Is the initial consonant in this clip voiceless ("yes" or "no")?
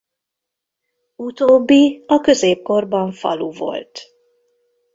yes